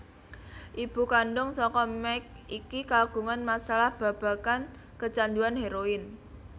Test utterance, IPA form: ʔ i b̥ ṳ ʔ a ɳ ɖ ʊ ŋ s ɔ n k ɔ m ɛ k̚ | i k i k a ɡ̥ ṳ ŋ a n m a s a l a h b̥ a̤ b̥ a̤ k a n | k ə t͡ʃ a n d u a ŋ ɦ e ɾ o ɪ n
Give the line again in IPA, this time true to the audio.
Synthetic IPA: ʔ i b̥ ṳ k a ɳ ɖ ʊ ŋ s ɔ k ɔ m ɛ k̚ | i k i k a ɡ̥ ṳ ŋ a n m a s a l a h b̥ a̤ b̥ a̤ k a n | k ə t͡ʃ a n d u a n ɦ e ɾ o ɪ n